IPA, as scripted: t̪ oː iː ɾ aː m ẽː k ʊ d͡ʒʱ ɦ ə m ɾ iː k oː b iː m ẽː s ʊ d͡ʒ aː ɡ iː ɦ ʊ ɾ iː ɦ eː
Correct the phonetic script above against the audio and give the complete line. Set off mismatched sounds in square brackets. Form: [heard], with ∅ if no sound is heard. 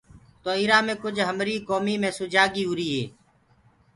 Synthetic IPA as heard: t̪ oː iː ɾ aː m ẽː k ʊ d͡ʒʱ ɦ ə m ɾ iː k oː [m] iː m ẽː s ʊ d͡ʒ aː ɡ iː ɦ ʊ ɾ iː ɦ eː